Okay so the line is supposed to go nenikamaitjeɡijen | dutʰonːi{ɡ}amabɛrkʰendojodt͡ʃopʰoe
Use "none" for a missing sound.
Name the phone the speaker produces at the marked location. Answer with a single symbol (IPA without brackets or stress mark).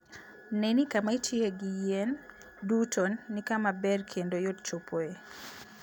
k